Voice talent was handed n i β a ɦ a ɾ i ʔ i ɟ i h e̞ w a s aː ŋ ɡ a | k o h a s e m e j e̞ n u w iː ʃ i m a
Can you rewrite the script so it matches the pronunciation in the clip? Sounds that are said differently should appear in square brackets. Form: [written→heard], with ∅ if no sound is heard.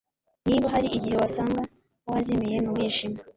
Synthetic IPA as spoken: n i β a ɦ a ɾ i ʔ i ɟ i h e̞ w a s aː ŋ ɡ a | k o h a [s→z] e m e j e̞ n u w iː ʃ i m a